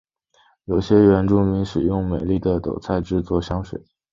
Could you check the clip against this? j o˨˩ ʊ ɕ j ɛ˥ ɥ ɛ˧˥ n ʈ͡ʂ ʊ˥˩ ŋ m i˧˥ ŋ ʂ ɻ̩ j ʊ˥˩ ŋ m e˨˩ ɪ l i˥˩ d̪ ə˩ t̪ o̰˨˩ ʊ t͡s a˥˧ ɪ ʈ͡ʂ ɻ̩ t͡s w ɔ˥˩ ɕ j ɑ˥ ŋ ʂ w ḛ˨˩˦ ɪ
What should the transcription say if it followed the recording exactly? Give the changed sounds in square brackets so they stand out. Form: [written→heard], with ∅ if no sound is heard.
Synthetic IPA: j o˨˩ ʊ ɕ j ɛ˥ ɥ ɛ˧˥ n ʈ͡ʂ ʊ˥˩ ŋ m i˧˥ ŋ ʂ ɻ̩ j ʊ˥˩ ŋ m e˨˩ ɪ l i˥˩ d̪ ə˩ t̪ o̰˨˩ ʊ [t͡s→t͡sʰ] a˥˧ ɪ ʈ͡ʂ ɻ̩ t͡s w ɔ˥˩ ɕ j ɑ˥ ŋ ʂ w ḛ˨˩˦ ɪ